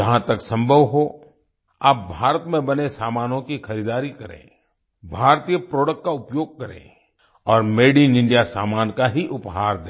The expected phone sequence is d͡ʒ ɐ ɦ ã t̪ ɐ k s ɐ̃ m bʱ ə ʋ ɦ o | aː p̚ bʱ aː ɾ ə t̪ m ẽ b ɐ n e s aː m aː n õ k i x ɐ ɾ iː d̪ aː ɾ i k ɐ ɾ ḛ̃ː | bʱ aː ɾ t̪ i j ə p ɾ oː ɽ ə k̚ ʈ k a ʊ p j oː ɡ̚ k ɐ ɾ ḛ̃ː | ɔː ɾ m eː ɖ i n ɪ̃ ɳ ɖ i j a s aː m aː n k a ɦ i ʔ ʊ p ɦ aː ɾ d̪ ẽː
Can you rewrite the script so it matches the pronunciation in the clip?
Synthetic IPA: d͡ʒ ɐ ɦ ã t̪ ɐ k s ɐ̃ m bʱ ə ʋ ɦ o | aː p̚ bʱ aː ɾ ə t̪ m ẽ b ɐ n e s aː m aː n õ k i x ɐ ɾ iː d̪ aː ɾ i k ɐ ɾ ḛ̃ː | bʱ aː ɾ t̪ i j ə p ɾ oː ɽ ə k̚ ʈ k a ʊ p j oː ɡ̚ k ɐ ɾ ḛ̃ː | ɔː ɾ m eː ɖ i n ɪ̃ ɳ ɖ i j a s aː m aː n k a ɦ i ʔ ʊ p ɦ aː ɾ d̪ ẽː